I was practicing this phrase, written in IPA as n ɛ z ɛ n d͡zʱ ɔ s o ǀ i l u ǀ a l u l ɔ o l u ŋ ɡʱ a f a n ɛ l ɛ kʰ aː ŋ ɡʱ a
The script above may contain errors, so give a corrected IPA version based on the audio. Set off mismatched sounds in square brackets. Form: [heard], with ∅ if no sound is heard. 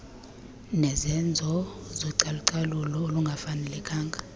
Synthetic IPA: n ɛ z ɛ n d͡zʱ ɔ [z] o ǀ [a] l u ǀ a l u l ɔ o l u ŋ ɡʱ a f a n ɛ l ɛ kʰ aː ŋ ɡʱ a